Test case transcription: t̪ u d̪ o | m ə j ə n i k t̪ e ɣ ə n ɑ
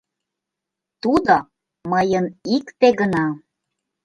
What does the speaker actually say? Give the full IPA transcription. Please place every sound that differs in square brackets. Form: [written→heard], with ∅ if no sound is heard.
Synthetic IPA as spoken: t̪ u d̪ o | m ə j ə n i k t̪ e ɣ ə n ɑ